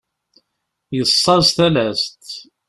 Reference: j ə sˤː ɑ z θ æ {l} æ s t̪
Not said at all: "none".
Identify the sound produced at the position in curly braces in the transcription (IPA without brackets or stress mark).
l